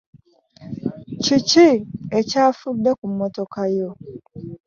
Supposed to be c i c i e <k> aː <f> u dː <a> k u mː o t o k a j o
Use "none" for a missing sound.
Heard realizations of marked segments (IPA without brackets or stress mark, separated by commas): c, f, e